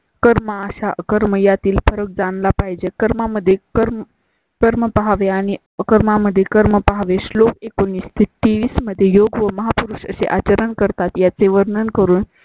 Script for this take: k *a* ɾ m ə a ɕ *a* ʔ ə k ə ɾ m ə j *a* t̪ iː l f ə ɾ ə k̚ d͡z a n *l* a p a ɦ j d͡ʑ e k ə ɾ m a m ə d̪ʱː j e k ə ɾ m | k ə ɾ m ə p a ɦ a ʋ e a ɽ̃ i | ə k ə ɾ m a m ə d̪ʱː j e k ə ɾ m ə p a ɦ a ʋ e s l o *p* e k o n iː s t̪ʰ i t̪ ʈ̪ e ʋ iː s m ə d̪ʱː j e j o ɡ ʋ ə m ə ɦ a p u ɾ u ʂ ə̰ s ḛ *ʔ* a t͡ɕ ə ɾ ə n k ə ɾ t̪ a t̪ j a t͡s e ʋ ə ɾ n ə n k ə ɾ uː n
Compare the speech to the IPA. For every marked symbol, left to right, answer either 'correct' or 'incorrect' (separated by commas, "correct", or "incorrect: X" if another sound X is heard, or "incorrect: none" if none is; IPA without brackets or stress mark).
incorrect: ə, correct, correct, correct, incorrect: k, correct